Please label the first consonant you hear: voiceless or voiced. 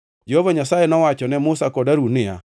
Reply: voiced